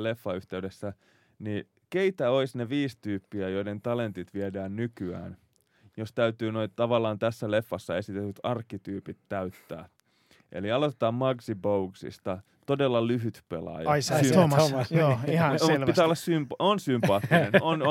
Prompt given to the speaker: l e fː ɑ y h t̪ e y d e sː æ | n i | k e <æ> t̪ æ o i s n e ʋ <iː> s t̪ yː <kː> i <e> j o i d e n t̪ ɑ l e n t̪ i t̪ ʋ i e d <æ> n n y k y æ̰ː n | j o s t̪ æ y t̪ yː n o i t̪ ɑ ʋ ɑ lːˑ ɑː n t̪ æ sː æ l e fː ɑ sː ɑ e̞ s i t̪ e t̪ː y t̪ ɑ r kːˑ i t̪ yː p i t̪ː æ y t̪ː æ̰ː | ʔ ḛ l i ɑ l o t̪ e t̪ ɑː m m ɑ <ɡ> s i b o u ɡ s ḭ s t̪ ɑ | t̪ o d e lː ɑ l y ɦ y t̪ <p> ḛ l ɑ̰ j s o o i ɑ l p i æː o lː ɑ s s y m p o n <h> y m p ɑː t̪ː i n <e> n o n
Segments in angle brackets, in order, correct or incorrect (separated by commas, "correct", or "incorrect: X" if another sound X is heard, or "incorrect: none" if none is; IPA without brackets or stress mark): incorrect: i, correct, incorrect: pː, incorrect: æ, incorrect: æː, correct, correct, incorrect: s, correct